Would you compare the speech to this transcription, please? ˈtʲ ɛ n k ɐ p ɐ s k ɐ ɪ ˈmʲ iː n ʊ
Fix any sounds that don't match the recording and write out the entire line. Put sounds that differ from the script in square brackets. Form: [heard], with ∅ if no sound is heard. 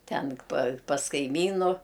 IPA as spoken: ˈtʲ ɛ n [p] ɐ p ɐ s k ɐ ɪ ˈmʲ iː n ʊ